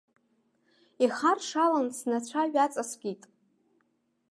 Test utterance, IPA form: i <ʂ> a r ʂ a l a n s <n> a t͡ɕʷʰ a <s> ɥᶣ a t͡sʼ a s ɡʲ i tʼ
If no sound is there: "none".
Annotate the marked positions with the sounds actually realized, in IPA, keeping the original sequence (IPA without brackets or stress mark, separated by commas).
χ, n, none